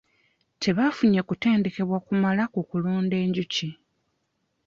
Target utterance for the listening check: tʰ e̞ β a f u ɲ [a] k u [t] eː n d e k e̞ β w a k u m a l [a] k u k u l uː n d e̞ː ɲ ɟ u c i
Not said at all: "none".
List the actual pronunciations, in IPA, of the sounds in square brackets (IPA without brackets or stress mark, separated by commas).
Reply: e, t, a